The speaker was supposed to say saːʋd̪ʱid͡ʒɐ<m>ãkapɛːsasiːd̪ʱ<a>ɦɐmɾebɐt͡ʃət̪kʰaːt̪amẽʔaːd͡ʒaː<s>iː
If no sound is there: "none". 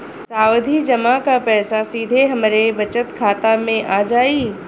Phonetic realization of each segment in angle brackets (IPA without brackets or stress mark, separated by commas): m, e, none